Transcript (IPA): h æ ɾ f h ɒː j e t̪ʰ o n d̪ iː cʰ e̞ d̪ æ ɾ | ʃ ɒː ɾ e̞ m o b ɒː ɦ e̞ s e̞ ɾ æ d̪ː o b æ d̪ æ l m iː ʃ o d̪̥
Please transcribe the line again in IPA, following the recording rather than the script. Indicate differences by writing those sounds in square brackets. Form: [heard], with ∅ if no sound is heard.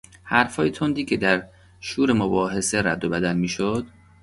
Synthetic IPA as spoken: h æ ɾ f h ɒː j e t̪ʰ o n d̪ iː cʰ e̞ d̪ æ ɾ | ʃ [uː] ɾ e̞ m o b ɒː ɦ e̞ s e̞ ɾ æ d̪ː o b æ d̪ æ l m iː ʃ o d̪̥